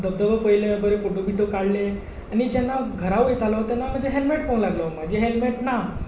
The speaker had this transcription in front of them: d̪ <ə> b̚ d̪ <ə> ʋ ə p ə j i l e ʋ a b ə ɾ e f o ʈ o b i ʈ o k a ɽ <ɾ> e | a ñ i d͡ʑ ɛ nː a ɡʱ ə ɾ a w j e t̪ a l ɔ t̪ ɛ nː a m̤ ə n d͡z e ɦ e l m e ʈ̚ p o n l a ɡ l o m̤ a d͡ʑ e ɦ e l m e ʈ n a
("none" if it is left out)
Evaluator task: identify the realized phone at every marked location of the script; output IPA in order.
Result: ə, ə, l

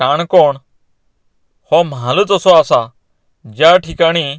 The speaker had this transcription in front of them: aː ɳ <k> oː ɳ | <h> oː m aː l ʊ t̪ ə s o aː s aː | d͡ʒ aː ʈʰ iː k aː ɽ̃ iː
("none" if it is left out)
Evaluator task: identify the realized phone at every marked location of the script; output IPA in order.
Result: k, h

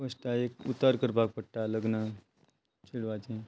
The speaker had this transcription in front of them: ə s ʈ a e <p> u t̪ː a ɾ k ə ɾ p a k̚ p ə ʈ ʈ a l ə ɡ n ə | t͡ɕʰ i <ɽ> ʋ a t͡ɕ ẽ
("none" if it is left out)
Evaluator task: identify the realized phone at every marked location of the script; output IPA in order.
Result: k, ɽ

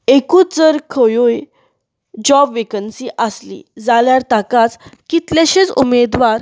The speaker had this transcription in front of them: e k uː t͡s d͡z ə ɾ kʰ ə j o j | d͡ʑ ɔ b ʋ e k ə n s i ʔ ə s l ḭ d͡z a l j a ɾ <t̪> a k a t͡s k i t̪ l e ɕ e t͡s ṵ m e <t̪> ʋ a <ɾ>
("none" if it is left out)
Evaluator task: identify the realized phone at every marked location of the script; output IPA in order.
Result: t̪, d̪, ɾ

